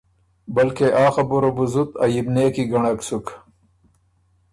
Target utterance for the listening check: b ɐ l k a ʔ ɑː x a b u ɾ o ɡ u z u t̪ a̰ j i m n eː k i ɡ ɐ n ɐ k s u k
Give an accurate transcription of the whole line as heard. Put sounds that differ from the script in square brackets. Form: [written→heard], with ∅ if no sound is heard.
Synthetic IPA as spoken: b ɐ l k [a→e] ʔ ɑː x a b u ɾ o [ɡ→b] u z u t̪ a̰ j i [m→b] n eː k i ɡ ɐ [n→ɳ] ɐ k s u k